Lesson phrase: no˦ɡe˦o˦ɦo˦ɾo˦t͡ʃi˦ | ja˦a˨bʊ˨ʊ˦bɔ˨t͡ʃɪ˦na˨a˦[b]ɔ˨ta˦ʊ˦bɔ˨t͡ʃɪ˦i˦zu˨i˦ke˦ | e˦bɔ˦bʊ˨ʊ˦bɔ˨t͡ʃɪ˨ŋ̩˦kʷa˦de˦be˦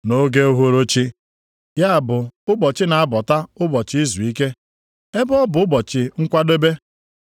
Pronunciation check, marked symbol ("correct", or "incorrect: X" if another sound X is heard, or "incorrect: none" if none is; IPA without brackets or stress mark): correct